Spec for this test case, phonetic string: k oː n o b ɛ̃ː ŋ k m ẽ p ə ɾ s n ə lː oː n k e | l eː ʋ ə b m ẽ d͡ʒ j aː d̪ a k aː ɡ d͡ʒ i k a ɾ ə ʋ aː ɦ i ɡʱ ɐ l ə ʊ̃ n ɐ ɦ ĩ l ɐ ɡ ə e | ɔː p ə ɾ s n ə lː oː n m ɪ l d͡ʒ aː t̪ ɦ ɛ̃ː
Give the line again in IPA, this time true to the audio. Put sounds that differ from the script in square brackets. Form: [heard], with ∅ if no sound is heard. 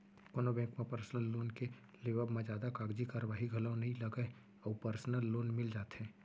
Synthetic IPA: k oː n o b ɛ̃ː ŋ k m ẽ p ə ɾ s n ə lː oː n k e | l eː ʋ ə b m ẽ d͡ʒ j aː d̪ a k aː ɡ d͡ʒ i k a ɾ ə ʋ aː ɦ i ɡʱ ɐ l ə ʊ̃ n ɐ ɦ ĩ l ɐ ɡ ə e | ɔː p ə ɾ s n ə lː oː n m ɪ l d͡ʒ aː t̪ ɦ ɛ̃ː